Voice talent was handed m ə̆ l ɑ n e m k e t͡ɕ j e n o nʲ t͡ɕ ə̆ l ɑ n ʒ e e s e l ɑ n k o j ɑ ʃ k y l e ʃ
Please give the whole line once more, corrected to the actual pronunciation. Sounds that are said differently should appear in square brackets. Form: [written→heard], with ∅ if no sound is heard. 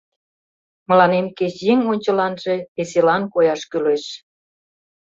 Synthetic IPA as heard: m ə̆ l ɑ n e m k e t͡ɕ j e [n→ŋ] o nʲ t͡ɕ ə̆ l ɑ n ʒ e e s e l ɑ n k o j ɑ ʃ k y l e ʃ